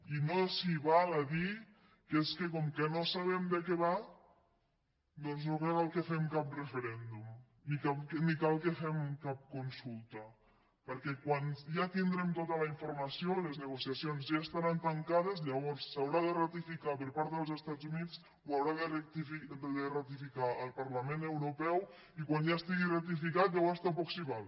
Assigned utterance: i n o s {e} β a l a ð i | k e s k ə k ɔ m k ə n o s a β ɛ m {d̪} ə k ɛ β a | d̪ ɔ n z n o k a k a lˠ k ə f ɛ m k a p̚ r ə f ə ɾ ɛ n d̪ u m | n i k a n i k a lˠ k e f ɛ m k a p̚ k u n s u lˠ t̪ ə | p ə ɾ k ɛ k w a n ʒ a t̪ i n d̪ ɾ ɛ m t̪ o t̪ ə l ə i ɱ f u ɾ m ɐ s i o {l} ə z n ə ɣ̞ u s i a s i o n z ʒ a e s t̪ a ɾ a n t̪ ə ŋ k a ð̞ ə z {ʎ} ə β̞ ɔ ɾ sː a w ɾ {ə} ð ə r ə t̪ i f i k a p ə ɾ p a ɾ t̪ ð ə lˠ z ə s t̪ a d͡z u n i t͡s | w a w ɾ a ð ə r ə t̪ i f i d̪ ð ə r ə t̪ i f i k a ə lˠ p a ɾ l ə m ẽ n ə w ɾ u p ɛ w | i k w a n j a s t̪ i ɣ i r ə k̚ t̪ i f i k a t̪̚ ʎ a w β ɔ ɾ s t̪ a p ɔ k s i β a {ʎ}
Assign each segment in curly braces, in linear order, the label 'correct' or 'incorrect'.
incorrect: i, correct, correct, correct, incorrect: a, incorrect: l

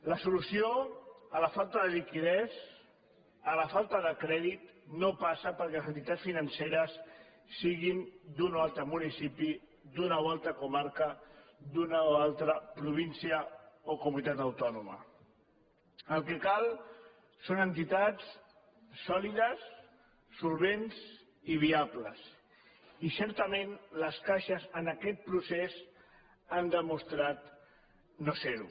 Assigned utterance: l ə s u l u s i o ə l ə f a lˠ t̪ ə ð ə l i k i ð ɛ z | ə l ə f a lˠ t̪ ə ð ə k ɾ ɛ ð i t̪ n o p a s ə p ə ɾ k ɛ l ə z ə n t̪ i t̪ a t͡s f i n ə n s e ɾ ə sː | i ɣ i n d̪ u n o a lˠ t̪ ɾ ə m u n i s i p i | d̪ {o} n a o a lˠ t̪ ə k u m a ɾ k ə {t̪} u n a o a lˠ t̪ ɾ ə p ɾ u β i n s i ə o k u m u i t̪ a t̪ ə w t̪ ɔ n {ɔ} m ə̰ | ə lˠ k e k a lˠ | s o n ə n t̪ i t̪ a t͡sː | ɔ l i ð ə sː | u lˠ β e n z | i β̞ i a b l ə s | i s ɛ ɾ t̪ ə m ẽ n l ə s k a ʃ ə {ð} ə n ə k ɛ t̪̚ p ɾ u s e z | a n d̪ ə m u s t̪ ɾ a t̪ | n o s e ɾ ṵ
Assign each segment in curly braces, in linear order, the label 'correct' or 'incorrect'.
incorrect: u, incorrect: d̪, incorrect: u, incorrect: z

